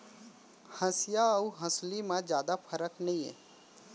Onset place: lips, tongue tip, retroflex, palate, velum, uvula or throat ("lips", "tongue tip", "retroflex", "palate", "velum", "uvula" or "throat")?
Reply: throat